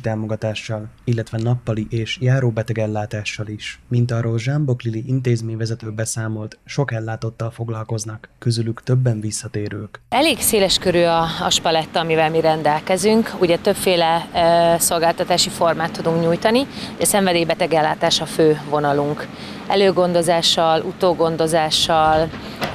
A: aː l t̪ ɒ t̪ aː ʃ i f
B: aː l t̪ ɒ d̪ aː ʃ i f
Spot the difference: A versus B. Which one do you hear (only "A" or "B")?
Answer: A